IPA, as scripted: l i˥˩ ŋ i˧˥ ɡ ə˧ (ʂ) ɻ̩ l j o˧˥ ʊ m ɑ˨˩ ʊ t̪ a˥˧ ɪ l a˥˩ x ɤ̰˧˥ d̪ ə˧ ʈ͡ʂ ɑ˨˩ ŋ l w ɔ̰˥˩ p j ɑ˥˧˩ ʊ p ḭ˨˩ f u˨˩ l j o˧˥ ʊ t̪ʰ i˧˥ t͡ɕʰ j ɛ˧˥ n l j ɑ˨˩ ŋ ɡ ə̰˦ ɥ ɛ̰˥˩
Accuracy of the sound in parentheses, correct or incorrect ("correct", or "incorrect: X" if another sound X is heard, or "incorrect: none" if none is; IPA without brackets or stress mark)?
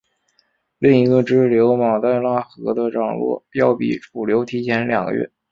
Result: incorrect: ʈ͡ʂ